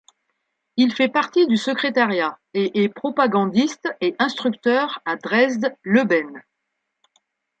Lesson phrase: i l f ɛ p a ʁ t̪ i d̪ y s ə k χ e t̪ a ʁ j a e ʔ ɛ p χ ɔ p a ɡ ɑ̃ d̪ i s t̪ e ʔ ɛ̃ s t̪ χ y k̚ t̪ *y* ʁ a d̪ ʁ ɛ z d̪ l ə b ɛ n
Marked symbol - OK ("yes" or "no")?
no